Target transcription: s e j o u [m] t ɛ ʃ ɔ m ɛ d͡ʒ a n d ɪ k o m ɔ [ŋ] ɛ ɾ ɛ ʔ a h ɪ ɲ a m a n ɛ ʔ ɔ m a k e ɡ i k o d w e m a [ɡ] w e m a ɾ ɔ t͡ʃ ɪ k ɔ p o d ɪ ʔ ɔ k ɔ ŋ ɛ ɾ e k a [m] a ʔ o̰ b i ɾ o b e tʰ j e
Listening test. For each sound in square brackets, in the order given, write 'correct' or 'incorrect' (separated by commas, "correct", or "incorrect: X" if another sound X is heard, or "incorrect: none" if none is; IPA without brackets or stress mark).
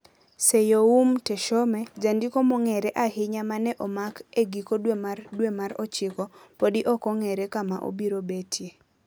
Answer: correct, correct, incorrect: d, correct